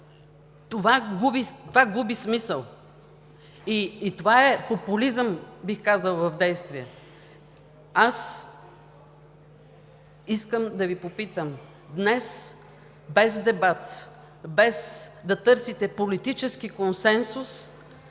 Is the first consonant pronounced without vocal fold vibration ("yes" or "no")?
yes